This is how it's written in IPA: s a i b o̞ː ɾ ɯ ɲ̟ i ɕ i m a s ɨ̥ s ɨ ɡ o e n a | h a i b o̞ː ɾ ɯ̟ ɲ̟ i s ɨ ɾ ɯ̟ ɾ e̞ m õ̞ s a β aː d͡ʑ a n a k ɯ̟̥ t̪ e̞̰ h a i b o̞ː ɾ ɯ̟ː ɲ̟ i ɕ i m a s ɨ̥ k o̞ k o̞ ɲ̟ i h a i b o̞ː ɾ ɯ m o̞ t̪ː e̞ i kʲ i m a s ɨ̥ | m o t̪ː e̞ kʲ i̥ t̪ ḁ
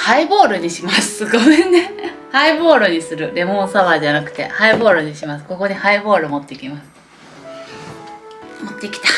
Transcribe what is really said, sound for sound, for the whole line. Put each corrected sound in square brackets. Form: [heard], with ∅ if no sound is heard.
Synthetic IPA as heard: [h] a i b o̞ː ɾ ɯ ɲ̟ i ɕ i m a s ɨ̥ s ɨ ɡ o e n [e] | h a i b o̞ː ɾ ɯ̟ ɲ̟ i s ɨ ɾ ɯ̟ ɾ e̞ m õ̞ s a β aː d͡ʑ a n a k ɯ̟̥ t̪ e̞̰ h a i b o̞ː ɾ [ɯ̟] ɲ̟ i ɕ i m a s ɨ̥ k o̞ k o̞ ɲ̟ i h a i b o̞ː ɾ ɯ m o̞ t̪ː e̞ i kʲ i m a s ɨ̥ | m o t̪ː e̞ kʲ i̥ t̪ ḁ

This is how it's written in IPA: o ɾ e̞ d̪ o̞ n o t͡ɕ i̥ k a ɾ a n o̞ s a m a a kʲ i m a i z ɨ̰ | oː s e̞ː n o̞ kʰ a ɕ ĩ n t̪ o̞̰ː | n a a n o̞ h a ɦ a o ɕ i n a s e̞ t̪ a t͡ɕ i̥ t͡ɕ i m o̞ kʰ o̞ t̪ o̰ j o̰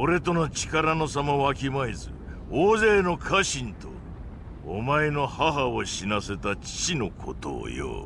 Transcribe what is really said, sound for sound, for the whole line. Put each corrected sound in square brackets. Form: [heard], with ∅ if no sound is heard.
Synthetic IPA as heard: o ɾ e̞ [t̪] o̞ n o t͡ɕ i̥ k a ɾ a n o̞ s a m a a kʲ i m a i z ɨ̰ | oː [z] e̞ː n o̞ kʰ a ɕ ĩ n t̪ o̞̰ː | [m] a [e] n o̞ h a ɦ a o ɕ i n a s e̞ t̪ a t͡ɕ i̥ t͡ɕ i [n] o̞ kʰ o̞ t̪ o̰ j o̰

